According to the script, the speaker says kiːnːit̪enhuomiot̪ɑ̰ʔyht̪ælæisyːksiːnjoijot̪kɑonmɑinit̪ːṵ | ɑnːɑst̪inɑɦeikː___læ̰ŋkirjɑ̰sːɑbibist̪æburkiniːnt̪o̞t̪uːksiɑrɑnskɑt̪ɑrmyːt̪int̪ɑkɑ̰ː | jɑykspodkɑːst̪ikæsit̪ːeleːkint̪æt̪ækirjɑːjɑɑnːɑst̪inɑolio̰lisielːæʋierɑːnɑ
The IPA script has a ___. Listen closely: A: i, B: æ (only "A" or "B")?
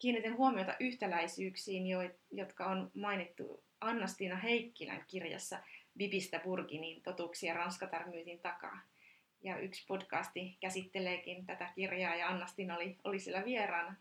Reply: A